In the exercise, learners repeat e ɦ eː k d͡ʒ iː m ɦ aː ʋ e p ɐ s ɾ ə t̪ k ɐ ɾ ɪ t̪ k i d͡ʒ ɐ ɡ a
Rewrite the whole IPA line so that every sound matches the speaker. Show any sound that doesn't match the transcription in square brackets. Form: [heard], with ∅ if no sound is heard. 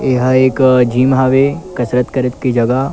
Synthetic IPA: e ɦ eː k d͡ʒ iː m ɦ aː ʋ e [k] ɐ s ɾ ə t̪ k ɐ ɾ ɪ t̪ k i d͡ʒ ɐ ɡ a